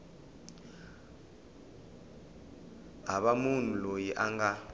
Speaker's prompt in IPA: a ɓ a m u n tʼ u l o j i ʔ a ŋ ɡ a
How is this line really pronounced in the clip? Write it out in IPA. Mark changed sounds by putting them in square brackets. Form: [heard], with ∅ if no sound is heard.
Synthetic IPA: a ɓ a m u n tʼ u l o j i ʔ a ŋ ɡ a